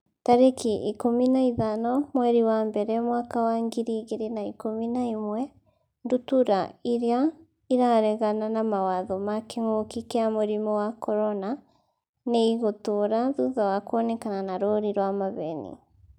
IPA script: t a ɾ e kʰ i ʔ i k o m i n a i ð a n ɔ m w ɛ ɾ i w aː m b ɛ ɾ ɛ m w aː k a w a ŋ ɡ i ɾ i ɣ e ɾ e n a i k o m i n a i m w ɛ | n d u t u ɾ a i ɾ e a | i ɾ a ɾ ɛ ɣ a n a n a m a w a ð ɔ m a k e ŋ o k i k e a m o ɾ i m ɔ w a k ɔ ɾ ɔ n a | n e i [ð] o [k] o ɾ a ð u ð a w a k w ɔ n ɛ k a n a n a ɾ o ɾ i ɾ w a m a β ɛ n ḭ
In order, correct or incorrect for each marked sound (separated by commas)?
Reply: incorrect, incorrect